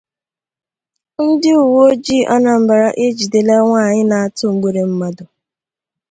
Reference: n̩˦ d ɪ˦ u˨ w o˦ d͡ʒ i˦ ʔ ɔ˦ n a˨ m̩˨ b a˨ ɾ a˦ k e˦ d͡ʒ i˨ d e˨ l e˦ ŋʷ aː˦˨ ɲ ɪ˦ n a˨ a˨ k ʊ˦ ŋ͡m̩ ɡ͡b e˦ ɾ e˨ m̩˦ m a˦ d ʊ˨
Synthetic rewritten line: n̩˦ d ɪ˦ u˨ w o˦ d͡ʒ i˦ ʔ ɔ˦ n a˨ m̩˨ b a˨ ɾ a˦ ʔ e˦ d͡ʒ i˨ d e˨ l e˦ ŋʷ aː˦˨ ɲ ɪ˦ n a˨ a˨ t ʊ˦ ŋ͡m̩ ɡ͡b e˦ ɾ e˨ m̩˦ m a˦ d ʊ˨

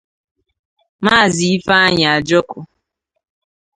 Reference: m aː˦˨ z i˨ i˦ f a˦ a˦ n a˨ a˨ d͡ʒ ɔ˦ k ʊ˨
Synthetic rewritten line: m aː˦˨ z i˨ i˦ f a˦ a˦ ɲ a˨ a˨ d͡ʒ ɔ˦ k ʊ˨

